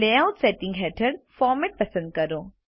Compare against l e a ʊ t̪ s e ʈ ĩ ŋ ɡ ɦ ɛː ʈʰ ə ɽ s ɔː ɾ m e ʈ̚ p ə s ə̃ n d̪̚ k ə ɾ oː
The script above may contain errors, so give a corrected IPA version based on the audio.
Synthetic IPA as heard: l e a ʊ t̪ s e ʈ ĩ ŋ ɡ ɦ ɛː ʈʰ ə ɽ f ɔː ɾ m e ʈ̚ p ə s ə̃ n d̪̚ k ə ɾ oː